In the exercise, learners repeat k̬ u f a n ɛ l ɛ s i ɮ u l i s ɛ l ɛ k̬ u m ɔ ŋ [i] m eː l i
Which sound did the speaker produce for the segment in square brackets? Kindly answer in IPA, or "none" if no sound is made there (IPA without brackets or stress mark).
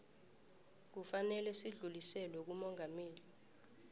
a